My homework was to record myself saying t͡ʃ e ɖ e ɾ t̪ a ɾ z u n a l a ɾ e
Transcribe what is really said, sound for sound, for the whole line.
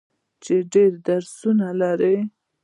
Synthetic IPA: t͡ʃ e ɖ e ɾ d̪ a ɾ s u n a l a ɾ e